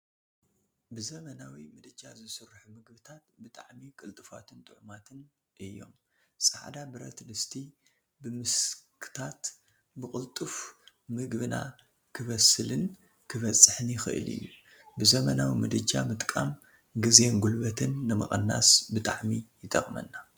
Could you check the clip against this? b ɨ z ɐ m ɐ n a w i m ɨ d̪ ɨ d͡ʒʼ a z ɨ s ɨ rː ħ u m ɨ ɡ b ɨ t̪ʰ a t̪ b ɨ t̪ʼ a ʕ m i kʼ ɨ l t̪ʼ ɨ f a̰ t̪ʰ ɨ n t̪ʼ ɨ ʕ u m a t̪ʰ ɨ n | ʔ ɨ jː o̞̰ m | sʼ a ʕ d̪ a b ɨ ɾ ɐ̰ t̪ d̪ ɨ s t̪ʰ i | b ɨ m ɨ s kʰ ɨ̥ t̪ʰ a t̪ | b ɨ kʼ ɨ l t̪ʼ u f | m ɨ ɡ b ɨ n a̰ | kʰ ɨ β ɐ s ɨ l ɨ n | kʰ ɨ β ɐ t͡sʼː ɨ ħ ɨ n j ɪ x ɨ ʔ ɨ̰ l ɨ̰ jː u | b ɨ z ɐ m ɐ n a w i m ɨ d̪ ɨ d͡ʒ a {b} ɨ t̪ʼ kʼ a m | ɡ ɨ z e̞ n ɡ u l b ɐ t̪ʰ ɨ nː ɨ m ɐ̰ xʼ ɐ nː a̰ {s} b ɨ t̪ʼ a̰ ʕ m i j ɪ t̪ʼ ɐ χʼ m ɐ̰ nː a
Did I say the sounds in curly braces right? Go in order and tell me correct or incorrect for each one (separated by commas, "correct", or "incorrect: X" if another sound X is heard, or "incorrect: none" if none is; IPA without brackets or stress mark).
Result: incorrect: m, correct